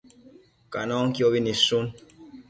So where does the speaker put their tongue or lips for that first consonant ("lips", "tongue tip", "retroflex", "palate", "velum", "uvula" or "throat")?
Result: velum